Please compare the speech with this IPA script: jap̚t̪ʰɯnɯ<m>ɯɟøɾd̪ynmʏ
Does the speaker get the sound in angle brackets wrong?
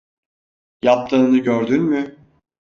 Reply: yes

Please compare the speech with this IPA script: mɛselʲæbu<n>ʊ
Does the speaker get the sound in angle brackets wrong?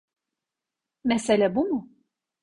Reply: yes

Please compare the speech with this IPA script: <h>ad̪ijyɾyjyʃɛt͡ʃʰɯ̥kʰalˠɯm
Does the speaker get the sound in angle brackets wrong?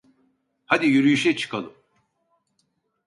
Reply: no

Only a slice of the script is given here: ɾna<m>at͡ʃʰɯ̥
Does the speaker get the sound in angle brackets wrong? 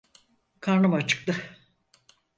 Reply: no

